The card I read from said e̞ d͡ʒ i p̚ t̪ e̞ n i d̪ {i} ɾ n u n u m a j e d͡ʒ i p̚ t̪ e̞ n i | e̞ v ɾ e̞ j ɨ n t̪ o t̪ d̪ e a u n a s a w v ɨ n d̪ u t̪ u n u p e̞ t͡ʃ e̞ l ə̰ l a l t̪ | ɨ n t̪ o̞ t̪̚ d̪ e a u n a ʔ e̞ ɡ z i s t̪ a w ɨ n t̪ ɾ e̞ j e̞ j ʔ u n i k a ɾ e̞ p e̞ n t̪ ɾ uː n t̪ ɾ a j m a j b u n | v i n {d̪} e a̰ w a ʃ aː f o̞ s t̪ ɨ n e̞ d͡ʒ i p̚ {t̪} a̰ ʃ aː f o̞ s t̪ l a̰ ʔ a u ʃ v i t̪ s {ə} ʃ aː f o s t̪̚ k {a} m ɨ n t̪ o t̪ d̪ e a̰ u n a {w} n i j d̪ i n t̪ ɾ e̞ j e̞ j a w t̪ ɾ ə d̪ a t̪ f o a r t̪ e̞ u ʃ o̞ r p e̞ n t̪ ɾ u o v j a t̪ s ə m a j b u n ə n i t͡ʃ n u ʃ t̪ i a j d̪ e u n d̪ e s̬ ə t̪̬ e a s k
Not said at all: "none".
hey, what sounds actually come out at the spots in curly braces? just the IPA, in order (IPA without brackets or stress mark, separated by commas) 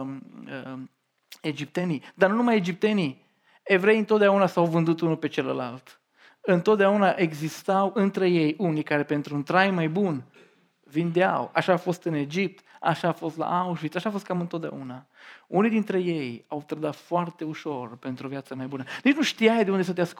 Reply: a, d̪, t̪, a, a, u